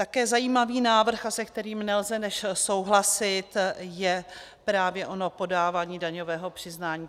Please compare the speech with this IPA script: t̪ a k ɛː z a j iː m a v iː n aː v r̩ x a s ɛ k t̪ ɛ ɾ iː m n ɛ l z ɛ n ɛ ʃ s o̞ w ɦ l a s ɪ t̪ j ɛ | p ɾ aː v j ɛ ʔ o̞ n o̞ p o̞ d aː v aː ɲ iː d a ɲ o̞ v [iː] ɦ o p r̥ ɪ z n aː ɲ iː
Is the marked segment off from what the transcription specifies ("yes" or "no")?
yes